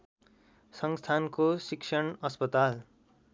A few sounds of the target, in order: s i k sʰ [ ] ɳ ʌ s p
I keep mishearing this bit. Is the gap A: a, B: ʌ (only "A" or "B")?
B